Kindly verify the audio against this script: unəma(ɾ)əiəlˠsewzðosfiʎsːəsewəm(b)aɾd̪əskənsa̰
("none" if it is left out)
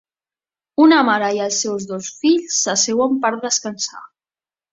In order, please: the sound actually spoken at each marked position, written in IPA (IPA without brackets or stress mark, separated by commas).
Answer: ɾ, p